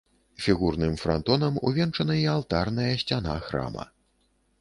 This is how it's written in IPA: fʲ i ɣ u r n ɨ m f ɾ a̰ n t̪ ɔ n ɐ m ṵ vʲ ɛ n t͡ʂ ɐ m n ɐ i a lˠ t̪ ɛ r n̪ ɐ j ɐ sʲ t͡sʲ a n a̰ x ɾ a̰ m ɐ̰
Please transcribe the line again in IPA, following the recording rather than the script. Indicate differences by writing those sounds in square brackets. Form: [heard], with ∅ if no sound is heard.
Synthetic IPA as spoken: fʲ i ɣ u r n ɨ m f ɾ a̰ n t̪ ɔ n ɐ m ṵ vʲ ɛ n t͡ʂ ɐ [∅] n ɐ i a lˠ t̪ [a] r n̪ ɐ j ɐ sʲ t͡sʲ a n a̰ x ɾ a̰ m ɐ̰